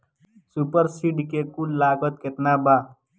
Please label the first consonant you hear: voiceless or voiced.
voiceless